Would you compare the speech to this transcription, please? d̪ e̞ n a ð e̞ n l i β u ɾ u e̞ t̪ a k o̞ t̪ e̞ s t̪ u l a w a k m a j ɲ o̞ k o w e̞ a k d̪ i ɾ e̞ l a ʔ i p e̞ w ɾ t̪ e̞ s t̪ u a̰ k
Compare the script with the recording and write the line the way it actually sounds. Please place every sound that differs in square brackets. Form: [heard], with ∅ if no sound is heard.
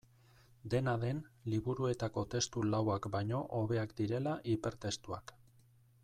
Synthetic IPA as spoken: d̪ e̞ n a ð e̞ n l i β u ɾ u e̞ t̪ a k o̞ t̪ e̞ s t̪ u l a w a k [b] a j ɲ o̞ [ʔ] o [β] e̞ a k d̪ i ɾ e̞ l a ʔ i p e̞ [∅] ɾ t̪ e̞ s t̪ u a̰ k